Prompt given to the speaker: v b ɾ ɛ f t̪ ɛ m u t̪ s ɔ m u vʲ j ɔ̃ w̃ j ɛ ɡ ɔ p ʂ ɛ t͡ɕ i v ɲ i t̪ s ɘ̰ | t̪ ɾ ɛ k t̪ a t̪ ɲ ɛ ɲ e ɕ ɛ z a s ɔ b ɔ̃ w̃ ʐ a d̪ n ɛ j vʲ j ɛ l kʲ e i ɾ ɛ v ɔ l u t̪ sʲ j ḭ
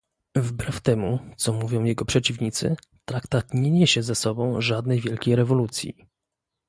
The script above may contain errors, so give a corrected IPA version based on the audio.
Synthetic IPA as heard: v b ɾ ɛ f t̪ ɛ m u t̪ s ɔ m u vʲ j ɔ̃ w̃ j ɛ ɡ ɔ p ʂ ɛ t͡ɕ i v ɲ i t̪ s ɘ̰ | t̪ ɾ a k t̪ a t̪ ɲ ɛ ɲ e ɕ ɛ z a s ɔ b ɔ̃ w̃ ʐ a d̪ n ɛ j vʲ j ɛ l kʲ e j ɾ ɛ v ɔ l u t̪ sʲ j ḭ